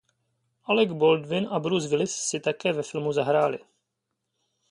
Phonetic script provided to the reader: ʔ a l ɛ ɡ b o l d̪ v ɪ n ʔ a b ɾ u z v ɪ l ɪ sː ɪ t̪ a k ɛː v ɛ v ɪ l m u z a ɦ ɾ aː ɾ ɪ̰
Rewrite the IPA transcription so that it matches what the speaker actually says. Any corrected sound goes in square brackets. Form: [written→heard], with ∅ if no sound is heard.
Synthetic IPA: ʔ a l ɛ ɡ b o l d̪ v ɪ n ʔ a b ɾ u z v ɪ l ɪ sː ɪ t̪ a k ɛː v ɛ [v→f] ɪ l m u z a ɦ ɾ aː [ɾ→l] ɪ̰